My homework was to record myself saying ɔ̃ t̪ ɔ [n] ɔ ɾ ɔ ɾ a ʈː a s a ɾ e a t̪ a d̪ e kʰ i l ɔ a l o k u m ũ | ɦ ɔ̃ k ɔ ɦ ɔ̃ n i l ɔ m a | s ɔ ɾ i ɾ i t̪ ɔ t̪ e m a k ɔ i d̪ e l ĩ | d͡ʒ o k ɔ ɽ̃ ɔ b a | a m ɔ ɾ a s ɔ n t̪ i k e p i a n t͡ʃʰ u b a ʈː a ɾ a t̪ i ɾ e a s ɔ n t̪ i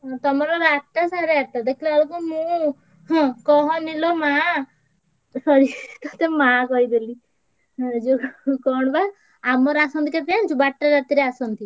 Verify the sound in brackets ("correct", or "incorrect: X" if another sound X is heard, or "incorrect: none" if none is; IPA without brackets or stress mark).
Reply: incorrect: m